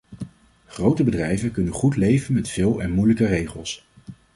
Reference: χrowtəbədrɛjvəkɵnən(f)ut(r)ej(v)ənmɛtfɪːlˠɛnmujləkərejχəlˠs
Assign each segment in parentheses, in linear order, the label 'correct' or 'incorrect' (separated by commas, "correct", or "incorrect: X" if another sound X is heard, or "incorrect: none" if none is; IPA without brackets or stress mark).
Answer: incorrect: χ, incorrect: l, correct